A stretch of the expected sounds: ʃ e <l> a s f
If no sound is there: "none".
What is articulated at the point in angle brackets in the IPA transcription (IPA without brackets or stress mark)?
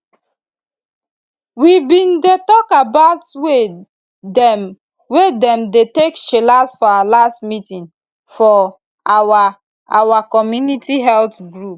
l